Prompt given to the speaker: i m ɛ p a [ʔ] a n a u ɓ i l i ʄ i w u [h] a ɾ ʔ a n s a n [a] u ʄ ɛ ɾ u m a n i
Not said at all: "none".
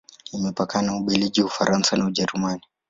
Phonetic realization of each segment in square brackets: k, f, a

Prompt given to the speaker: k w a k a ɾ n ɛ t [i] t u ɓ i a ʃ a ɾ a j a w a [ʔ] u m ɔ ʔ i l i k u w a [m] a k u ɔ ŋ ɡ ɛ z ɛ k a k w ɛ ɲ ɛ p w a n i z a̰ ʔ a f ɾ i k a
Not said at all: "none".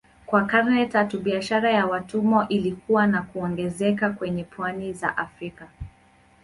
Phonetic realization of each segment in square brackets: a, t, n

